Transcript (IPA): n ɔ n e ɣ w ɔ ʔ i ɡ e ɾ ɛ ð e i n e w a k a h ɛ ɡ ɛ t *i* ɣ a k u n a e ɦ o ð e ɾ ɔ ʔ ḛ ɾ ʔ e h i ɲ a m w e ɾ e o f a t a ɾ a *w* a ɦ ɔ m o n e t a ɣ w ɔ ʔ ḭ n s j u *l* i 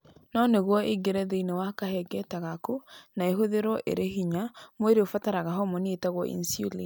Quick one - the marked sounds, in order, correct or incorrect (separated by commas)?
incorrect, incorrect, correct